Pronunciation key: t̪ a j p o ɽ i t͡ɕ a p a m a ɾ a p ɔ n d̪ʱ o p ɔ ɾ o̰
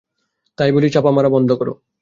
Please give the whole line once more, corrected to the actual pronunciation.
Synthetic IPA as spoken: t̪ a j b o l i t͡ɕ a p a m a ɾ a b ɔ n d̪ʱ o k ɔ ɾ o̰